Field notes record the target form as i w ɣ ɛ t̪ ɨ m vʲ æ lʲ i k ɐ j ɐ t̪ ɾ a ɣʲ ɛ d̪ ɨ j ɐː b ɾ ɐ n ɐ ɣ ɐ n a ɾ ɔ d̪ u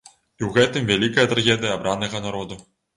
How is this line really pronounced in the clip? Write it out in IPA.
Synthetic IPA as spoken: i w ɣ ɛ t̪ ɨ m vʲ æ lʲ i k ɐ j ɐ t̪ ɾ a ɣʲ ɛ d̪ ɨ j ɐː b ɾ a n ɐ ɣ ɐ n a ɾ ɔ d̪ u